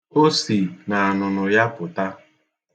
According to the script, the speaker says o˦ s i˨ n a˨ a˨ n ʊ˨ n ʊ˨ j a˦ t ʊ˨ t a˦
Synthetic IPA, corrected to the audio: o˦ s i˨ n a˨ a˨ n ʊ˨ n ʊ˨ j a˦ p ʊ˨ t a˦